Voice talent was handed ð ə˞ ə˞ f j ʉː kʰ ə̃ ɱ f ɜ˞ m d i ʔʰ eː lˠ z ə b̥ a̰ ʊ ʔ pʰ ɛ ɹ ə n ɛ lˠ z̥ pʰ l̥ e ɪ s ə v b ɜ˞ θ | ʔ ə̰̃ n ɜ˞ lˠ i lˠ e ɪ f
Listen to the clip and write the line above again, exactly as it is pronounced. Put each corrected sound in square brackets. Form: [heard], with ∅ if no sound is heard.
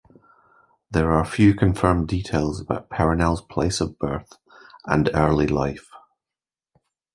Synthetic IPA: ð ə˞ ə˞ f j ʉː kʰ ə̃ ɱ f ɜ˞ m d i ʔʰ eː lˠ z ə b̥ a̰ ʊ ʔ pʰ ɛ ɹ ə n ɛ lˠ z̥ pʰ l̥ e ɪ s ə v b ɜ˞ θ | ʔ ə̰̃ n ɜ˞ lˠ i lˠ [a] ɪ f